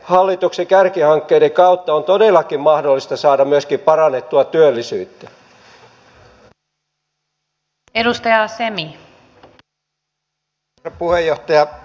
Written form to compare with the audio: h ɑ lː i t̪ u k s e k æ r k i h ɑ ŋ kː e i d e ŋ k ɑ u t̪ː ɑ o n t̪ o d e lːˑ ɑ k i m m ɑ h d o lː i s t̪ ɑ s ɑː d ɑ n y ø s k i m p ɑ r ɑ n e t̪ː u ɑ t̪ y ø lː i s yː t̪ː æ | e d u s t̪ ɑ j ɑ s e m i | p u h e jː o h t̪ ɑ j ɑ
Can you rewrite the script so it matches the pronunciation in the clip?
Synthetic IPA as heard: h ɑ lː i t̪ u k s e k æ r k i h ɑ ŋ kː e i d e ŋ k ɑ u t̪ː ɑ o n t̪ o d e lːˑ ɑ k i m m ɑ h d o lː i s t̪ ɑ s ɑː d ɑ m y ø s k i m p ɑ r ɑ n e t̪ː u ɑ t̪ y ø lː i s yː t̪ː æ | e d u s t̪ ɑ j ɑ s e m i | p u h e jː o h t̪ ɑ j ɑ